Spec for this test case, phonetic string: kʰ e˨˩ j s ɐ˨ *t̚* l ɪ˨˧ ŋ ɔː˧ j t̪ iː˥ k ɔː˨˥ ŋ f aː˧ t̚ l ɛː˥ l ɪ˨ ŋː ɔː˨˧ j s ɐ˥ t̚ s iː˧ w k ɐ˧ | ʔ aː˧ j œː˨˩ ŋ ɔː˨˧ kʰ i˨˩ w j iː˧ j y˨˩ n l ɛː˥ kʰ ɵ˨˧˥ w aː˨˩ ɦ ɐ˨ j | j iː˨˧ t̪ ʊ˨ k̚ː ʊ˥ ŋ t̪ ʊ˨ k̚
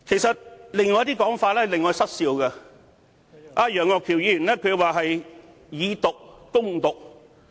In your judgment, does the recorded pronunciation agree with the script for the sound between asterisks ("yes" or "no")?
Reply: yes